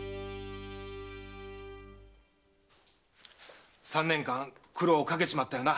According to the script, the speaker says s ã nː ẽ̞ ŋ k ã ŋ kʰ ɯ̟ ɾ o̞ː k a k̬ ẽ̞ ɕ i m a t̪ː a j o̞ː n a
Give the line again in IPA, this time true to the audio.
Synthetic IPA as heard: s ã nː ẽ̞ ŋ k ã ŋ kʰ ɯ̟ ɾ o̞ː k a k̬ e̞ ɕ i m a t̪ː a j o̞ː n a